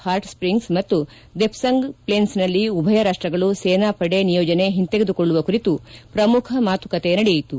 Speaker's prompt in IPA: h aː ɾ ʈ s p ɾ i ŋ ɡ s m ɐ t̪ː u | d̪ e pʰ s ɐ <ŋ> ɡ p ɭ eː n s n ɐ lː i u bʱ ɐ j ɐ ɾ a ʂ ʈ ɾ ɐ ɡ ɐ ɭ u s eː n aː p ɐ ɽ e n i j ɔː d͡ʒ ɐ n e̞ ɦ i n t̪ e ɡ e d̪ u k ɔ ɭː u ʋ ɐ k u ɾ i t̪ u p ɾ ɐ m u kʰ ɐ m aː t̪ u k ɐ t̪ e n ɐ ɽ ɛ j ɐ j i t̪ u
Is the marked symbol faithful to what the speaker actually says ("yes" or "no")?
yes